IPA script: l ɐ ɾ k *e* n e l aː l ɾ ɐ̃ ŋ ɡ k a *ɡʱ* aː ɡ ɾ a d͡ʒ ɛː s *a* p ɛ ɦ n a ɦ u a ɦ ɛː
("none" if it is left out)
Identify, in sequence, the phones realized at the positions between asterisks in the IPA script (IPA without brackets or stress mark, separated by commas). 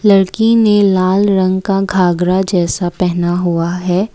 i, ɡʱ, a